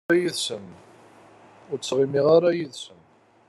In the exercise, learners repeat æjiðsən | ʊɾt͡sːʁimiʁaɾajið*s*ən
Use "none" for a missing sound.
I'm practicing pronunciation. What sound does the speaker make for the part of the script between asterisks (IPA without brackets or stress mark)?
s